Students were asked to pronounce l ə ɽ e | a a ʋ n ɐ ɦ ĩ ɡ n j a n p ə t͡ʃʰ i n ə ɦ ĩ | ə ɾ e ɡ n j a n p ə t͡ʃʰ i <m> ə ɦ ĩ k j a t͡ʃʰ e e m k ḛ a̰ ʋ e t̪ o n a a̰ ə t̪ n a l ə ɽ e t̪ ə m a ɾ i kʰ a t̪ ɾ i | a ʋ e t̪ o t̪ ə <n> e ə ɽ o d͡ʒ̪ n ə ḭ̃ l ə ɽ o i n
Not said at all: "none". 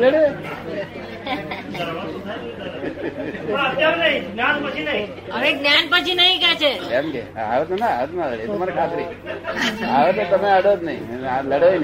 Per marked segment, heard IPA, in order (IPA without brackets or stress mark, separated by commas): n, m